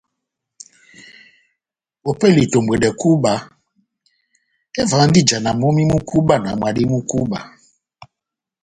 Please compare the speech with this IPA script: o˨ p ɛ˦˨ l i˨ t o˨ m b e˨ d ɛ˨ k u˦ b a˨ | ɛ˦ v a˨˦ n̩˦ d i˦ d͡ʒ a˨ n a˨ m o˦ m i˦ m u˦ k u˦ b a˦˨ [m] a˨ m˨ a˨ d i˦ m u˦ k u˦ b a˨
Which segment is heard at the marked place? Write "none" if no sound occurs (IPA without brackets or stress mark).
n